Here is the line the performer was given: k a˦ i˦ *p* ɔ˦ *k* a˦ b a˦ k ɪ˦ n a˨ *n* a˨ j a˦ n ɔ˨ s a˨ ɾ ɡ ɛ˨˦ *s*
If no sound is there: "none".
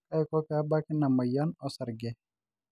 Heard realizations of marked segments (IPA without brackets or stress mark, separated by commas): k, k, m, none